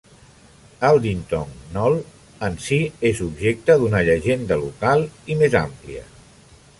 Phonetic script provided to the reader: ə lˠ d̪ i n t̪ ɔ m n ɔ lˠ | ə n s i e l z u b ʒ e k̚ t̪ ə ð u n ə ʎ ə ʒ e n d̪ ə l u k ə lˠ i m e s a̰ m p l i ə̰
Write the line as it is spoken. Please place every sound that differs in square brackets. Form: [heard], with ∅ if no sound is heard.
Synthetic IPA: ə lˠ d̪ i n t̪ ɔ [ŋ] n ɔ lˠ | ə n s i e [∅] z u b ʒ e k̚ t̪ ə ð u n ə ʎ ə ʒ e n d̪ ə l u k [a] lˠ i m e [z] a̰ m p l i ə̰

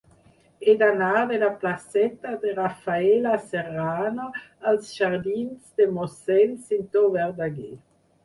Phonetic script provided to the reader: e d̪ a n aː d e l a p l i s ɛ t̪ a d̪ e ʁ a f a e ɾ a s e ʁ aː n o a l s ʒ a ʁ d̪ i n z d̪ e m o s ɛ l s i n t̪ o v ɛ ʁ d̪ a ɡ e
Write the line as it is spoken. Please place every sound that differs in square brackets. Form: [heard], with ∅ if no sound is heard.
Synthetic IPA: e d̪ a n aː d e l a p l [a] s ɛ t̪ a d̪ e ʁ a f a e [l] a s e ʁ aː n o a l s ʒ a ʁ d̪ i n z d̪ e m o s ɛ l s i n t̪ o v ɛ ʁ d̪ a ɡ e

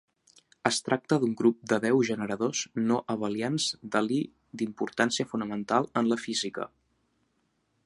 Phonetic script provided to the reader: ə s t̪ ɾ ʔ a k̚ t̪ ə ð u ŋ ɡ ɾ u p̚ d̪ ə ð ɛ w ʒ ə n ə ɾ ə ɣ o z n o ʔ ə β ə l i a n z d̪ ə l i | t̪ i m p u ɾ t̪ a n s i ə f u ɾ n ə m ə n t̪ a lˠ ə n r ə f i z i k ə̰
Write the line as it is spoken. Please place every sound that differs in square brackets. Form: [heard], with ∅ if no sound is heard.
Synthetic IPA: ə s t̪ ɾ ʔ a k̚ t̪ ə ð u ŋ ɡ ɾ u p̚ d̪ ə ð ɛ w ʒ ə n ə ɾ ə [ð] o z n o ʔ ə β ə l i a n z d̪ ə l i | [d̪] i m p u ɾ t̪ a n s i ə f u [∅] n ə m ə n t̪ a lˠ ə n [l] ə f i z i k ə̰

